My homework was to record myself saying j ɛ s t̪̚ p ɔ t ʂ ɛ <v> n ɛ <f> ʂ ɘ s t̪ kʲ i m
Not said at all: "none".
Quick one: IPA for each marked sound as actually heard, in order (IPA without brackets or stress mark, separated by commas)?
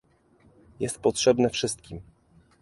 b, f